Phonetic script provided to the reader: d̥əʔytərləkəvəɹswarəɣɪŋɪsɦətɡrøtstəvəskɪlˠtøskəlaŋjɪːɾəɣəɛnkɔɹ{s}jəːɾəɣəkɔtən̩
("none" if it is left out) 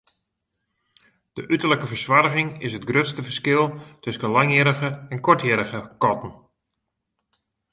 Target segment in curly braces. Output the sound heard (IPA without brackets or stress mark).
t